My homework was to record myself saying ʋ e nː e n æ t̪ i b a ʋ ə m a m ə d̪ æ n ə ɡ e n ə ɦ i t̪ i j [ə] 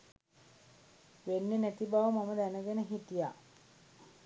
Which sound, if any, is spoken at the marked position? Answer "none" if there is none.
a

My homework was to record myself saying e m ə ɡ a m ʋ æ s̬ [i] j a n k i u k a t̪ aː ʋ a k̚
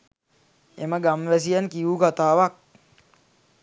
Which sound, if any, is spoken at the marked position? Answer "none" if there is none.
i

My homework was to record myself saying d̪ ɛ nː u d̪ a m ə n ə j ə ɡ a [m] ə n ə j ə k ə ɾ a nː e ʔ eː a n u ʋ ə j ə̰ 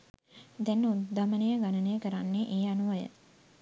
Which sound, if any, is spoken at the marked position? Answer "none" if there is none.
n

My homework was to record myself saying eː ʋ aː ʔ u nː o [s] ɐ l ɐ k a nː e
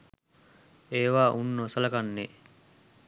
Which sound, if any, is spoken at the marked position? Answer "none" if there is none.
s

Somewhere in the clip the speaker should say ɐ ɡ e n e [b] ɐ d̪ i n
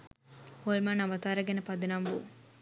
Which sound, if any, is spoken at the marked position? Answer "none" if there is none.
p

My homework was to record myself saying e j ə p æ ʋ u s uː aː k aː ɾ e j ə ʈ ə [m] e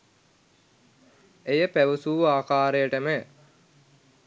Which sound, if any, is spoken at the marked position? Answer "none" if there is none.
m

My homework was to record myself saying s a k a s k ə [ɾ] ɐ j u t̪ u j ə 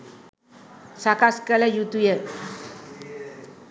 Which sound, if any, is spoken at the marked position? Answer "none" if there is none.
l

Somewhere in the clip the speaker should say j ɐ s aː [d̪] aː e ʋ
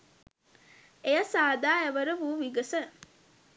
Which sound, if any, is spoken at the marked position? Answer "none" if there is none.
d̪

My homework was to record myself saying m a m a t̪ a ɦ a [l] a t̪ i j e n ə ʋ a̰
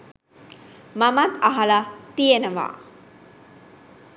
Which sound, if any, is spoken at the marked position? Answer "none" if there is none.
l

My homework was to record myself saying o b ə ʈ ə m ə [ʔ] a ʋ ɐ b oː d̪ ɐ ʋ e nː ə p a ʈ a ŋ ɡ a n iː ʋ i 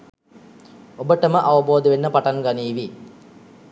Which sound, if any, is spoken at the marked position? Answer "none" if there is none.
ʔ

